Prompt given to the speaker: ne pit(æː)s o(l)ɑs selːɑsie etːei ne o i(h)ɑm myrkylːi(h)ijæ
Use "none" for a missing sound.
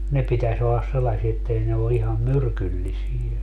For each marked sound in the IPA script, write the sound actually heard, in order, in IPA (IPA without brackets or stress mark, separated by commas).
æ, lː, h, s